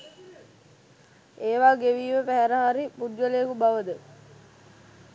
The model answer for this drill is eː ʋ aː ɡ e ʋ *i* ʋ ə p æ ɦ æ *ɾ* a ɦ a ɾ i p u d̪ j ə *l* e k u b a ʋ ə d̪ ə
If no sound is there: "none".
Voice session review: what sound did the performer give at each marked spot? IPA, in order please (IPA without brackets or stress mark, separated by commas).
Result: iː, ɾ, l